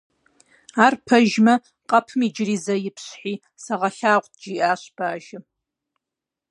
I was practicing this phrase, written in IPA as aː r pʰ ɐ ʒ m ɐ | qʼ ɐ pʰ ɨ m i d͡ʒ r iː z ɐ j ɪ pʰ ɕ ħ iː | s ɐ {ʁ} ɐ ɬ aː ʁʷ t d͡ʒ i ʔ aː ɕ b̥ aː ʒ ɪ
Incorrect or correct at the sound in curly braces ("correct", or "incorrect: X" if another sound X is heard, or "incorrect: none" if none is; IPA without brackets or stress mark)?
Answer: correct